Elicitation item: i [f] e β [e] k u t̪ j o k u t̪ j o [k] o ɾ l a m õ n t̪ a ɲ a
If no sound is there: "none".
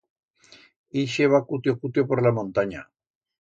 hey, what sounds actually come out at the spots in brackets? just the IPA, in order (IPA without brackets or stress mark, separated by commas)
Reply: ʃ, a, p